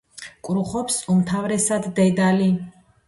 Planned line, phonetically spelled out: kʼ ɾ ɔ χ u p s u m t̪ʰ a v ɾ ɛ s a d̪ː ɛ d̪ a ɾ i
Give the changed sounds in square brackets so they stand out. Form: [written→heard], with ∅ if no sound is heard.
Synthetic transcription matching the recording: kʼ ɾ [ɔ→u] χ [u→ɔ] p s u m t̪ʰ a v ɾ ɛ s a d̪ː ɛ d̪ a [ɾ→l] i